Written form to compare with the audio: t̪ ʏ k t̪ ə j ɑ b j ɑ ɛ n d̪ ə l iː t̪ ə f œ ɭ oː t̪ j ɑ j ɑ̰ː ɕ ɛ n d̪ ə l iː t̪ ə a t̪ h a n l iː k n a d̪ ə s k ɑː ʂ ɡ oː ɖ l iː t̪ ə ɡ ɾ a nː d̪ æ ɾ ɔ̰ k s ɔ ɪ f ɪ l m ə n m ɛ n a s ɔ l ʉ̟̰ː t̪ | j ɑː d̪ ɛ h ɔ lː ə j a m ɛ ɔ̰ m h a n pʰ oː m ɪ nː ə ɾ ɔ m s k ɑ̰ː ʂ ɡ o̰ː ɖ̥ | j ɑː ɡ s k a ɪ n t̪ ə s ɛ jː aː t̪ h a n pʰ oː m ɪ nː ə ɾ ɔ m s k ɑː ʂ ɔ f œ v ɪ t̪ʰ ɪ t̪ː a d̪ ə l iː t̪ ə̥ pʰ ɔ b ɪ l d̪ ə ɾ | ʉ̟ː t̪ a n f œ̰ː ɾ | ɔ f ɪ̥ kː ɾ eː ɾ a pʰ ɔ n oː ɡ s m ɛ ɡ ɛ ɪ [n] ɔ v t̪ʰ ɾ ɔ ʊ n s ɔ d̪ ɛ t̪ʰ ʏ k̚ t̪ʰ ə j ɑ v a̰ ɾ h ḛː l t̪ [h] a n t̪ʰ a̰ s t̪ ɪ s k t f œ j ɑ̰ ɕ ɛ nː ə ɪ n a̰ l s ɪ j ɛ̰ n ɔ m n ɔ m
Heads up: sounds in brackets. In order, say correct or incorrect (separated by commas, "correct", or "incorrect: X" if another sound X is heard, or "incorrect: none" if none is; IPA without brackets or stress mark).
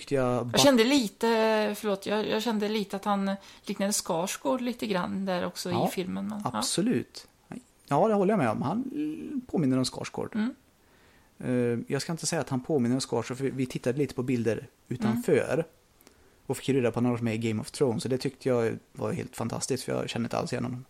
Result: incorrect: m, incorrect: f